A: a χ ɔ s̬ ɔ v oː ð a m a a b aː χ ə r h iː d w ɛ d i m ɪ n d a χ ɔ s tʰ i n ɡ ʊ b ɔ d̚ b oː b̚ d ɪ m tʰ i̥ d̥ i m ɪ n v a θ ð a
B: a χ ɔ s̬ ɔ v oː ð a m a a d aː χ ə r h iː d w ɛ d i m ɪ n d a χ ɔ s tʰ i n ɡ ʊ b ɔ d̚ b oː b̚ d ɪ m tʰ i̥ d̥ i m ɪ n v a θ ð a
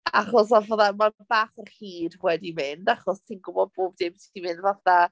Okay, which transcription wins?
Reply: A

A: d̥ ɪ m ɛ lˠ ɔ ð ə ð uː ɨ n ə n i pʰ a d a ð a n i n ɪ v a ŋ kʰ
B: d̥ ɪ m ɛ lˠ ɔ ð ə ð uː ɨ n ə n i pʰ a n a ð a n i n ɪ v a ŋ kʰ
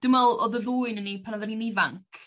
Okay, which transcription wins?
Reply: B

